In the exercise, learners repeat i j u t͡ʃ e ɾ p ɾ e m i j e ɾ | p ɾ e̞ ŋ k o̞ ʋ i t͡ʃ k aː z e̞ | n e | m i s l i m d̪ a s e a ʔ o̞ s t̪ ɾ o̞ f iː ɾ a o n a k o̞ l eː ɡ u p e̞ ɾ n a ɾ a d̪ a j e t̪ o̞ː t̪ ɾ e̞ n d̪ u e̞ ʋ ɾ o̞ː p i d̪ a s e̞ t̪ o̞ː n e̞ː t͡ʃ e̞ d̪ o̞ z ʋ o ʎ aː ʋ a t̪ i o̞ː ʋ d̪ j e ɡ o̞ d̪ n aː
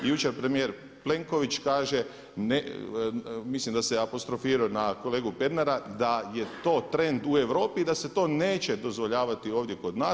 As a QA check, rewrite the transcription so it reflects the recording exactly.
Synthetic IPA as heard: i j u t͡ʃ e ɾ p ɾ e m i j e ɾ | p l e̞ ŋ k o̞ ʋ i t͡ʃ k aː ʒ e̞ | n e | m i s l i m d̪ a s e a p o̞ s t̪ ɾ o̞ f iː ɾ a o n a k o̞ l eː ɡ u p e̞ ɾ n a ɾ a d̪ a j e t̪ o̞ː t̪ ɾ e̞ n d̪ u e̞ ʋ ɾ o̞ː p i d̪ a s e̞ t̪ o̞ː n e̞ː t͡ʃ e̞ d̪ o̞ z ʋ o ʎ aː ʋ a t̪ i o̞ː ʋ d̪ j e k o̞ d̪ n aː

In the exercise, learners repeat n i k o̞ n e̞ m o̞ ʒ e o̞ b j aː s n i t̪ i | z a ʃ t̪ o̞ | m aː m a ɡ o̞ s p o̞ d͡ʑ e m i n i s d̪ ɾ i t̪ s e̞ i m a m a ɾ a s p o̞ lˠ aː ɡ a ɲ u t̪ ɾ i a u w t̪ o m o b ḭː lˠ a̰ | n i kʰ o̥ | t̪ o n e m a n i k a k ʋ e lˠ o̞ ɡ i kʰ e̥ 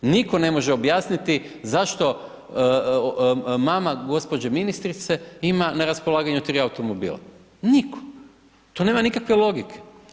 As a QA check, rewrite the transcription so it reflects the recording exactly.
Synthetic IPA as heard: n i k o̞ n e̞ m o̞ ʒ e o̞ b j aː s n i t̪ i | z a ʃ t̪ o̞ | m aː m a ɡ o̞ s p o̞ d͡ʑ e m i n i s t̪ ɾ i t̪ s e̞ i m a n a ɾ a s p o̞ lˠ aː ɡ a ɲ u t̪ ɾ i a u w t̪ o m o b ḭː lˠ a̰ | n i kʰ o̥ | t̪ o n e m a n i k a k ʋ e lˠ o̞ ɡ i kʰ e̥

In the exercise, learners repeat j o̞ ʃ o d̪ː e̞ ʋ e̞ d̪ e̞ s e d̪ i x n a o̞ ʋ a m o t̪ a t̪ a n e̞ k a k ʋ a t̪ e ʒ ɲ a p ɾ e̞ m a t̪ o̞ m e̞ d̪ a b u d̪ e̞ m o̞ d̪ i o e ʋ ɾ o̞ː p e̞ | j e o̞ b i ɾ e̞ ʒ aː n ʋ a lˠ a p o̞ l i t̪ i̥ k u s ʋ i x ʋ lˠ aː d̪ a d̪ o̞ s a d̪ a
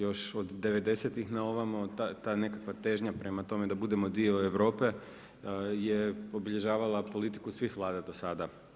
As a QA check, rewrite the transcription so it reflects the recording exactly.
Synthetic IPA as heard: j o̞ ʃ o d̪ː e̞ ʋ e̞ d̪ e̞ s e t̪ i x n a o̞ ʋ a m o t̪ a t̪ a n e̞ k a k ʋ a t̪ e ʒ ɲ a p ɾ e̞ m a t̪ o̞ m e̞ d̪ a b u d̪ e̞ m o̞ d̪ i o e ʋ ɾ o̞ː p e̞ | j e o̞ b i ʎ e̞ ʒ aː ʋ a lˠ a p o̞ l i t̪ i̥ k u s ʋ i x ʋ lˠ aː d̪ a d̪ o̞ s a d̪ a

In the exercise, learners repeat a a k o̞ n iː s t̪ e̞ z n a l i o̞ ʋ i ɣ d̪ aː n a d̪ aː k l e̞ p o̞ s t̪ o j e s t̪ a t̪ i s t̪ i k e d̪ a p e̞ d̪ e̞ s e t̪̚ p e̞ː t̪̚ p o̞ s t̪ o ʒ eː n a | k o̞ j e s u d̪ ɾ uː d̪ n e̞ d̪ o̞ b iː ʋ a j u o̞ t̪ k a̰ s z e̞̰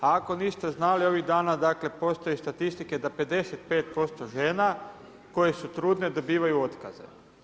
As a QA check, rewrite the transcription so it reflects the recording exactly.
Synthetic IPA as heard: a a k o̞ n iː s t̪ e̞ z n a l i o̞ ʋ i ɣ d̪ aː n a d̪ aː k l e̞ p o̞ s t̪ o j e s t̪ a t̪ i s t̪ i k e d̪ a p e̞ d̪ e̞ s e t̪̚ p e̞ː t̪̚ p o̞ s t̪ o ʒ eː n a | k o̞ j e s u t̪ ɾ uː d̪ n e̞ d̪ o̞ b iː ʋ a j u o̞ t̪ k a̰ z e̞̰

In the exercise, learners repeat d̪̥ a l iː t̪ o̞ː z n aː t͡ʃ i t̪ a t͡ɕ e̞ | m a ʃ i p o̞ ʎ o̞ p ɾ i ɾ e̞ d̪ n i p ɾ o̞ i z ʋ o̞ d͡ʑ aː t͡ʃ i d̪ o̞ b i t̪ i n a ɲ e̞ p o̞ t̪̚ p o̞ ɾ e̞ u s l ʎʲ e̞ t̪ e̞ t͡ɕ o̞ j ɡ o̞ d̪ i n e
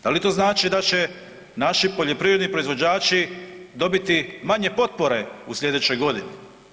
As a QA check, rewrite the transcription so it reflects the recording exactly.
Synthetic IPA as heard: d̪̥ a l i t̪ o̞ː z n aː t͡ʃ i d̪ a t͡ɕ e̞ | n a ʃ i p o̞ ʎ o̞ p ɾ i ɾ e̞ d̪ n i p ɾ o̞ i z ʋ o̞ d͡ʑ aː t͡ʃ i d̪ o̞ b i t̪ i m a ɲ e̞ p o̞ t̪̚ p o̞ ɾ e̞ u s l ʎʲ e̞ d̪ e̞ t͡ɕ o̞ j ɡ o̞ d̪ i n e

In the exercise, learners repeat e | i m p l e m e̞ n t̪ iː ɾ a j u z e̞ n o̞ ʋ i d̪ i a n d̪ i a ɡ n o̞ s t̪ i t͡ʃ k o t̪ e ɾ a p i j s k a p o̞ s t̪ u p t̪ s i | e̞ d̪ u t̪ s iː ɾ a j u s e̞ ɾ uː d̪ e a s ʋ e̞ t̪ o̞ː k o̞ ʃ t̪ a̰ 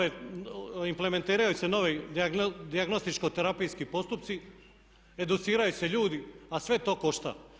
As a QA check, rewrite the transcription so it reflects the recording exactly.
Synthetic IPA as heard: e | i m p l e m e̞ n t̪ iː ɾ a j u s e̞ n o̞ ʋ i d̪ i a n d̪ i a ɡ n o̞ s t̪ i t͡ʃ k o t̪ e ɾ a p i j s k i p o̞ s t̪ u p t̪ s i | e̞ d̪ u t̪ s iː ɾ a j u s e̞ ʎ uː d̪ i a s ʋ e̞ t̪ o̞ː k o̞ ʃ t̪ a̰

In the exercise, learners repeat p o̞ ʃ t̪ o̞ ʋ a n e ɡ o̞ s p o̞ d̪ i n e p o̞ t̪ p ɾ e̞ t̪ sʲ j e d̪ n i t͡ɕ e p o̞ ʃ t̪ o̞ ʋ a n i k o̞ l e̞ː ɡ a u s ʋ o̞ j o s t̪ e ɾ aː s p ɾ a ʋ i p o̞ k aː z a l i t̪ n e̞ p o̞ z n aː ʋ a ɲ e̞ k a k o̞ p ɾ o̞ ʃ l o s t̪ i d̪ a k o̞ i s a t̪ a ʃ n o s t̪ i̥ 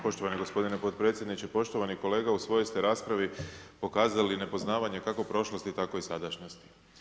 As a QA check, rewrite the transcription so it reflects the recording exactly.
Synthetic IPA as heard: p o̞ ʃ t̪ o̞ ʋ a n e ɡ o̞ s p o̞ d̪ i n e p o̞ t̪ p ɾ e̞ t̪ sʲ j e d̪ n i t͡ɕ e p o̞ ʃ t̪ o̞ ʋ a n i k o̞ l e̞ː ɡ a u s ʋ o̞ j o s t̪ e ɾ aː s p ɾ a ʋ i p o̞ k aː z a l i n e̞ p o̞ z n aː ʋ a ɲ e̞ k a k o̞ p ɾ o̞ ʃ l o s t̪ i t̪ a k o̞ i s a d̪ a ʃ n o s t̪ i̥

